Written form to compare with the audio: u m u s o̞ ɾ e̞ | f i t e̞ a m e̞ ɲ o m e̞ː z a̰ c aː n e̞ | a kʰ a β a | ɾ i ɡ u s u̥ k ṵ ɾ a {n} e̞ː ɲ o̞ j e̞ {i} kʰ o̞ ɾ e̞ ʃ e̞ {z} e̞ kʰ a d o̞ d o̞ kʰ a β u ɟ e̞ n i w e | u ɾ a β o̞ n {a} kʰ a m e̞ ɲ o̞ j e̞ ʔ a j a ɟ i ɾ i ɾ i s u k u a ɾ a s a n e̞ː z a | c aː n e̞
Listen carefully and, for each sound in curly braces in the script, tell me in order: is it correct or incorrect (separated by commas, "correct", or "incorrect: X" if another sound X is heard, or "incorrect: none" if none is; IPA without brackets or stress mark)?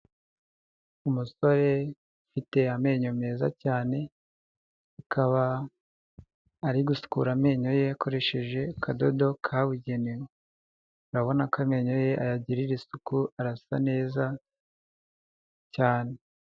incorrect: m, incorrect: a, incorrect: ʒ, correct